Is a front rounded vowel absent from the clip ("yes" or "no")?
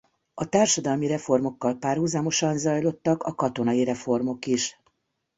yes